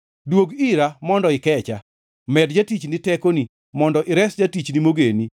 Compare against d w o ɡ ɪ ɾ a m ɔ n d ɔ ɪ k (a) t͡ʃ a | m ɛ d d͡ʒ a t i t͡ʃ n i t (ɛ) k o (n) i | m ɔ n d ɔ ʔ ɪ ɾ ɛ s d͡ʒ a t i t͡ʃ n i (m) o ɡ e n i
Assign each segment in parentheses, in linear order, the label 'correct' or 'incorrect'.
incorrect: ɛ, correct, correct, correct

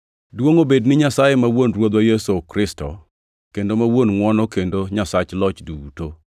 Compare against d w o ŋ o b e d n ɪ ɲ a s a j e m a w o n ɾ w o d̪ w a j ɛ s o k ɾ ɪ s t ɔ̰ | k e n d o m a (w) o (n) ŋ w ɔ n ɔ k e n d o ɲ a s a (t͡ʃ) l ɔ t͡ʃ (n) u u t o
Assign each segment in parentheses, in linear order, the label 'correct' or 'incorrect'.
correct, correct, correct, incorrect: d

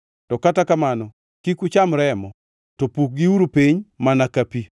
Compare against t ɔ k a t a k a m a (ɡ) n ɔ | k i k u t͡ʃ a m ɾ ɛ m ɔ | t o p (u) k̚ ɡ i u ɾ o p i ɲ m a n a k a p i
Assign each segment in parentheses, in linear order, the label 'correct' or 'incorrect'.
incorrect: none, correct

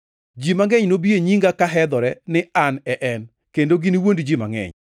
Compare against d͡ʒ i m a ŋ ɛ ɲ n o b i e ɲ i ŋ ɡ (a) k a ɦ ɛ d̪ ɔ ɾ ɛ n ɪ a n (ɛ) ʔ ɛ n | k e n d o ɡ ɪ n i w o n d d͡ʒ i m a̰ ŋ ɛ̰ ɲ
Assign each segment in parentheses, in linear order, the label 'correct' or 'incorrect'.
correct, correct

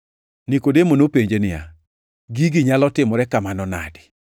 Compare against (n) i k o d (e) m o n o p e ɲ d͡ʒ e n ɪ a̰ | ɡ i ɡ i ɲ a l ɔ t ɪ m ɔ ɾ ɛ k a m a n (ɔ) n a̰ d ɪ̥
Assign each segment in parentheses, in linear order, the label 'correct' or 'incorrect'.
correct, correct, correct

